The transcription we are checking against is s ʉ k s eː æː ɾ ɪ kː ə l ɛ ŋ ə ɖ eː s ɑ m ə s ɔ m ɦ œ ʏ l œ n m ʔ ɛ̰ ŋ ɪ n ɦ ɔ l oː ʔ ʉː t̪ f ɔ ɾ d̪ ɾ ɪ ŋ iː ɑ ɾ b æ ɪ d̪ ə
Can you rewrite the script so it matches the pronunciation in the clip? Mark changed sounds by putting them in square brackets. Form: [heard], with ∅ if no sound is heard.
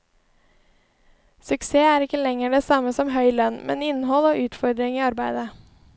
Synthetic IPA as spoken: s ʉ k s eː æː ɾ ɪ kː ə l ɛ ŋ ə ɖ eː s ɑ m ə s ɔ m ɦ œ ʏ l œ n m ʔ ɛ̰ [n] ɪ n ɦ ɔ l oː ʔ ʉː t̪ f ɔ ɾ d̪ ɾ ɪ ŋ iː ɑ ɾ b æ ɪ d̪ ə